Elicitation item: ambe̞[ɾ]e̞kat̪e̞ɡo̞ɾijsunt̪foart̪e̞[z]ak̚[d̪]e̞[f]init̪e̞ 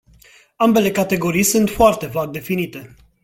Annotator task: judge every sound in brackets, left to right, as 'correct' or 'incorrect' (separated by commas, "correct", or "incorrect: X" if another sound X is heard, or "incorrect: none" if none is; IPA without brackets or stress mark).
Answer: incorrect: l, incorrect: v, correct, correct